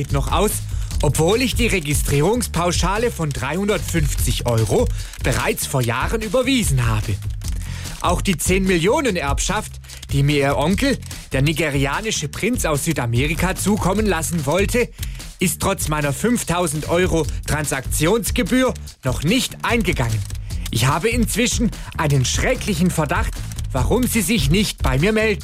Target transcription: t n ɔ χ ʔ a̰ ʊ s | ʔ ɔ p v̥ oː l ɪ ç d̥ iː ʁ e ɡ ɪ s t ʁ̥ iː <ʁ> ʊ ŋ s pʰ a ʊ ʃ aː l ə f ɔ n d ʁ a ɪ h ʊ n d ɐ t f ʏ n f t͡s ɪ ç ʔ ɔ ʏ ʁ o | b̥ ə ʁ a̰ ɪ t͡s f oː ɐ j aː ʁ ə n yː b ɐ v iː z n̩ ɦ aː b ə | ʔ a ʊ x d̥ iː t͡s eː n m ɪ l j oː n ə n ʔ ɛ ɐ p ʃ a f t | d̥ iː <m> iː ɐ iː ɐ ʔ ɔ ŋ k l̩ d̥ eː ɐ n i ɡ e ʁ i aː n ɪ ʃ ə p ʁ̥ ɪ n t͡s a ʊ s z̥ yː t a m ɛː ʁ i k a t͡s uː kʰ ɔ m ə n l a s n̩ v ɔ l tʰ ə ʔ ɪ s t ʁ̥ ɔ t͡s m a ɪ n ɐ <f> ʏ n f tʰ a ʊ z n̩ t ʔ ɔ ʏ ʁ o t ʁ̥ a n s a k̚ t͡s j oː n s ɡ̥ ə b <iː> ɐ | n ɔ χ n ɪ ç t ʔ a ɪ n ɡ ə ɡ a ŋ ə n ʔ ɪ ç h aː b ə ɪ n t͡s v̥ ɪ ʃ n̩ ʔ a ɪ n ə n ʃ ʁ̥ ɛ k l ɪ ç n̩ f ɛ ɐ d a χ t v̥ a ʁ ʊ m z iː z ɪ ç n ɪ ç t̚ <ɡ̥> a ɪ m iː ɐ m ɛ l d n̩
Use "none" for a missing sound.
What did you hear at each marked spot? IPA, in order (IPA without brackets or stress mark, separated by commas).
ʁ, m, f, yː, b̥